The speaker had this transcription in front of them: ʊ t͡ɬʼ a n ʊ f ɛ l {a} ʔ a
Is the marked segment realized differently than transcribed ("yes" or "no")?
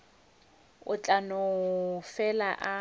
no